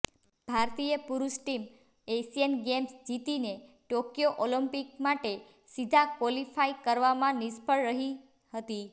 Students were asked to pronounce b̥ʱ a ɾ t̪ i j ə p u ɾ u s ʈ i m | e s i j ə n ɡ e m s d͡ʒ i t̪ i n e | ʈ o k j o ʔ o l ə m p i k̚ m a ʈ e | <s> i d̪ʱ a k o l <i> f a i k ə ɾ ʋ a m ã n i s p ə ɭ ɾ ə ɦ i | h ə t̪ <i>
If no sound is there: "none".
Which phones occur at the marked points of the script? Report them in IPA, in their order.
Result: s, i, i

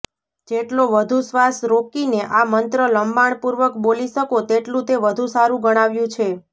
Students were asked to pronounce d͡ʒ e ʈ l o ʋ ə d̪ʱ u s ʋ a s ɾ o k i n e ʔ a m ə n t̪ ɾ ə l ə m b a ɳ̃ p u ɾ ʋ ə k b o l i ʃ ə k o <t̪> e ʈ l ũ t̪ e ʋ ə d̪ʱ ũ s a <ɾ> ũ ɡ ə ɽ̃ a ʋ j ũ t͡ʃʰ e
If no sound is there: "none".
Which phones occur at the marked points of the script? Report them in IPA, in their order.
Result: t̪, ɾ

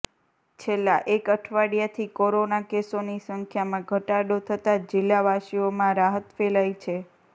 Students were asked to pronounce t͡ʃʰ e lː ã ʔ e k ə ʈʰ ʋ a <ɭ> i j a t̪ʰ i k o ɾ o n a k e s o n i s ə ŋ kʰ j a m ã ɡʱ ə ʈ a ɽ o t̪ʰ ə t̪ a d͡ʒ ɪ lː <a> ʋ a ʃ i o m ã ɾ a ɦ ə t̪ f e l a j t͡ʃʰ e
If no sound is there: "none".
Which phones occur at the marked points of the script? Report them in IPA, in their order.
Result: ɽ, a

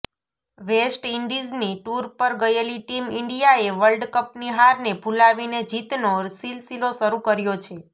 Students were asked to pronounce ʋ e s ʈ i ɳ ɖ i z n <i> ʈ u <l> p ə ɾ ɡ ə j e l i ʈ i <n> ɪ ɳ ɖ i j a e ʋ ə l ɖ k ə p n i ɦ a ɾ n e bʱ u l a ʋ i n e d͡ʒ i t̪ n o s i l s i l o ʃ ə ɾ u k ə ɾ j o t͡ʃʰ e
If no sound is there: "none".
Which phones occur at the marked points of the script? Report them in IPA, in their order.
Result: i, ɾ, m

